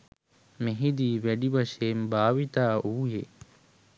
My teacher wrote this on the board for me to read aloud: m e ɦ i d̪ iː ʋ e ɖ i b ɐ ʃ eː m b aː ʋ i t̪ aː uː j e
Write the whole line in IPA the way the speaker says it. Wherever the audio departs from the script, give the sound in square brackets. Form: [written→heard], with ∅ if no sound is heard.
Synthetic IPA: m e ɦ i d̪ iː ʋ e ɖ i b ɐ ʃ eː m b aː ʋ i t̪ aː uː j e